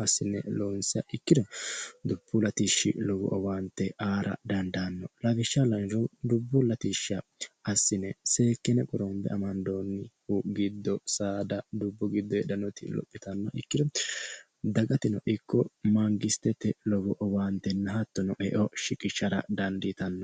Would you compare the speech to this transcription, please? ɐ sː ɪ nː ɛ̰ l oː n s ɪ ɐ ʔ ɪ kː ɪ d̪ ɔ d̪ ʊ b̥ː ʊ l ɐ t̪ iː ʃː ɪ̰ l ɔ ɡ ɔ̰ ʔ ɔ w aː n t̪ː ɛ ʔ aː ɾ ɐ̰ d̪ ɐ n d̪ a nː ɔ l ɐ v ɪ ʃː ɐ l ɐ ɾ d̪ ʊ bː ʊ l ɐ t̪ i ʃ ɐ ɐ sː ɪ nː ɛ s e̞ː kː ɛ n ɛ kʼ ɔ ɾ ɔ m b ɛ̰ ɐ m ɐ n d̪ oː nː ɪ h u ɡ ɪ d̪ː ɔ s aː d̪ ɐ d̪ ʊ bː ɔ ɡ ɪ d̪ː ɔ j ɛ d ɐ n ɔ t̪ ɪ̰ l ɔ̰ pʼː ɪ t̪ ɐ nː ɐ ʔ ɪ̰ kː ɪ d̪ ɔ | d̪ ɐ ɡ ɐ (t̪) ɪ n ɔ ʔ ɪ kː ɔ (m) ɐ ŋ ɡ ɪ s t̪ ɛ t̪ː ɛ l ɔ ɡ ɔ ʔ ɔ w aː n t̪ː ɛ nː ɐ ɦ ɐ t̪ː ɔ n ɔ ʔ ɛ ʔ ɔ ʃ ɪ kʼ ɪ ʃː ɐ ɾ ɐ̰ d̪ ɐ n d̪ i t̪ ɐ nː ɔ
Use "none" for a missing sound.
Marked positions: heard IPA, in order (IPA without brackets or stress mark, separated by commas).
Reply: t̪, m